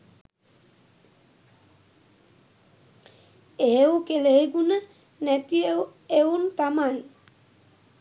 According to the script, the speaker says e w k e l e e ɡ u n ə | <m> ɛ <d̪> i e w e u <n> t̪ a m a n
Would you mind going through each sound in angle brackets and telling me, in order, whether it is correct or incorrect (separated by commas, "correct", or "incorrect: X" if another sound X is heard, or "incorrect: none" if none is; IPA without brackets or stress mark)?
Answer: incorrect: n, incorrect: t̪, correct